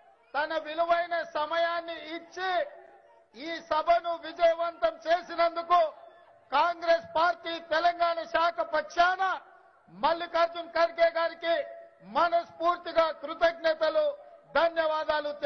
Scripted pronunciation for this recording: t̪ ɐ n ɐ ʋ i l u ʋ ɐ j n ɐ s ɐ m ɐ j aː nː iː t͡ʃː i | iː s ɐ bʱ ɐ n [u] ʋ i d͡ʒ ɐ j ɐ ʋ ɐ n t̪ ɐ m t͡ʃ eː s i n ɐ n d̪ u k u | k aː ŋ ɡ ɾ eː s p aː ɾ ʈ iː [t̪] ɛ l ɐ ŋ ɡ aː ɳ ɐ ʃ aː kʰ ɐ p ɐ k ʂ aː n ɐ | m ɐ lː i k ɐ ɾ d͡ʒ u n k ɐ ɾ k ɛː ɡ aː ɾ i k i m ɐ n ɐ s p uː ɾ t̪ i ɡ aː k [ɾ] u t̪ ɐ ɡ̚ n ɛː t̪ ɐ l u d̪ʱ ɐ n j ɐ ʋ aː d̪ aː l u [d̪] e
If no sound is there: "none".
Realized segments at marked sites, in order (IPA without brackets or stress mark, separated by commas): u, t̪, ɾ, t̪